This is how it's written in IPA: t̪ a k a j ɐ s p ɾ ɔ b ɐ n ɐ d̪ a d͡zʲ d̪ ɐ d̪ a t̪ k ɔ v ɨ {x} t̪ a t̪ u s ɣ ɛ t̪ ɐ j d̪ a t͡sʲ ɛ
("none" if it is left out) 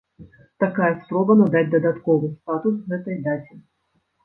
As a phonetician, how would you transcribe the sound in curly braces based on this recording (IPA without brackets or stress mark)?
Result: s